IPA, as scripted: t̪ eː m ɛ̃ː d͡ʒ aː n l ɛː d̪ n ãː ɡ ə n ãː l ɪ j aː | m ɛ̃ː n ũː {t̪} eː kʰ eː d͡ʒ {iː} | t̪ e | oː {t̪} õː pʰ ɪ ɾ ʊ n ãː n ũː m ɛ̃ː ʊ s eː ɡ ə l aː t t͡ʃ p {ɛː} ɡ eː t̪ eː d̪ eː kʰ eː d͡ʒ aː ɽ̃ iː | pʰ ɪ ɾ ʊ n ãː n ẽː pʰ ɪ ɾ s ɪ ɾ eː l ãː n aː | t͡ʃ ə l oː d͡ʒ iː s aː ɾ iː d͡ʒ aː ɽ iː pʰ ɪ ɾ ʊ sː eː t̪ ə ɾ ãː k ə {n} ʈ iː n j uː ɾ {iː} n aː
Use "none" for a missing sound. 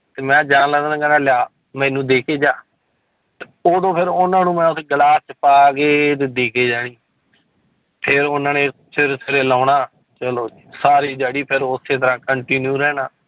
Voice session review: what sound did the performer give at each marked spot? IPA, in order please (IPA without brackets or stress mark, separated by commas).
d̪, aː, d̪, aː, ɳ, ɛː